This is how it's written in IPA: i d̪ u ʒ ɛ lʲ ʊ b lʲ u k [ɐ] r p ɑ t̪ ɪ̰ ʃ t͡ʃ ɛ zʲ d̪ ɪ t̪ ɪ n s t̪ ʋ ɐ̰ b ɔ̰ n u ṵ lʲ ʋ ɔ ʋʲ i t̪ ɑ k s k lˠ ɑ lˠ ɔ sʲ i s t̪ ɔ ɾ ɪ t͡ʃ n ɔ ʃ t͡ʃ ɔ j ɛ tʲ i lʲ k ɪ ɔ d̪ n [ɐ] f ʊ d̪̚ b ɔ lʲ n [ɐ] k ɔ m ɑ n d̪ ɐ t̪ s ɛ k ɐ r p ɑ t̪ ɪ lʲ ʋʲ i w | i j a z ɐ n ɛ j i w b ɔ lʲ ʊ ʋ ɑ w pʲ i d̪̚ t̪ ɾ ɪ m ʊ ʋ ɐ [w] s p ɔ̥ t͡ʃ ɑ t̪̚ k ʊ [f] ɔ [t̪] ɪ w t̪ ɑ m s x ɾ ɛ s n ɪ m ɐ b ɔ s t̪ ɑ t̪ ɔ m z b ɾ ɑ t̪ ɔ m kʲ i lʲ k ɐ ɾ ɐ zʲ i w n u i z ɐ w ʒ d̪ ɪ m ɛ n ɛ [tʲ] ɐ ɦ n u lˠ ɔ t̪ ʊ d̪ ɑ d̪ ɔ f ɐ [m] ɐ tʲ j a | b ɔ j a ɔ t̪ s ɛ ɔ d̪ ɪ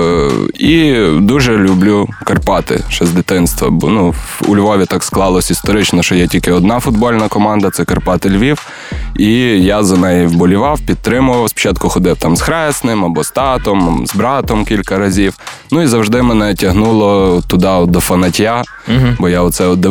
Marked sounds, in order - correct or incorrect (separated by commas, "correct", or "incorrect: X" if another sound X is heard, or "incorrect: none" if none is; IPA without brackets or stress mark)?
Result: correct, incorrect: ɑ, correct, correct, incorrect: x, incorrect: d̪, correct, incorrect: n